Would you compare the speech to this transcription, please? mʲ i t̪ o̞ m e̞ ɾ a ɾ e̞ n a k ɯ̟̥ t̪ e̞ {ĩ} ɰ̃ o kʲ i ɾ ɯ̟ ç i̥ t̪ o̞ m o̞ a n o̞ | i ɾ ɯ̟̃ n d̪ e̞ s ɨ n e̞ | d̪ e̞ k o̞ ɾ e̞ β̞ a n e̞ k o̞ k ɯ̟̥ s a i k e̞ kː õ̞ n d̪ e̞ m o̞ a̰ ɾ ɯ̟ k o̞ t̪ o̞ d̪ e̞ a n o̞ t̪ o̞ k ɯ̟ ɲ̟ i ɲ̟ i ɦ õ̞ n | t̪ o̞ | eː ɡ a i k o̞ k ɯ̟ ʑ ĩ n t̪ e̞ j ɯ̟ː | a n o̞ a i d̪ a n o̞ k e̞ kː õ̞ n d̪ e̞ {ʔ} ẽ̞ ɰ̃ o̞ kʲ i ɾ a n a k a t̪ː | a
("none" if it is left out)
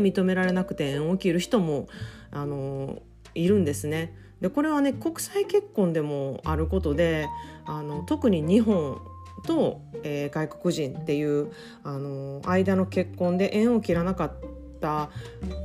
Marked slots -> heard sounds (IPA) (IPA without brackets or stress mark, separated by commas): ẽ, ʔ